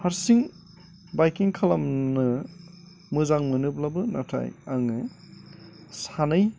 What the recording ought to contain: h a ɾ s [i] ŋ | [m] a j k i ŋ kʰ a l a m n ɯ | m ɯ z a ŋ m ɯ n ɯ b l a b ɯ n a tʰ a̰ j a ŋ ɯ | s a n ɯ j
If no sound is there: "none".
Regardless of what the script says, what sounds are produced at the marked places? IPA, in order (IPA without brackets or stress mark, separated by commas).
i, b